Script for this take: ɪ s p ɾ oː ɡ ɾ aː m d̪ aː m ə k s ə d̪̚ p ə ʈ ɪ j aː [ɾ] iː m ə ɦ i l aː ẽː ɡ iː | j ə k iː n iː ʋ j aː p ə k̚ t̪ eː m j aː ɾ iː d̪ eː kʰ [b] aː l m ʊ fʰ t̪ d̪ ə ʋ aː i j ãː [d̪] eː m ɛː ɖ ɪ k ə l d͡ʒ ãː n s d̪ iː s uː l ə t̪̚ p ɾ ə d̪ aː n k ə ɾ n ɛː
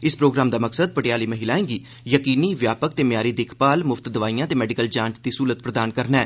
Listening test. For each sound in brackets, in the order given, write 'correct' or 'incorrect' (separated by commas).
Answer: incorrect, incorrect, incorrect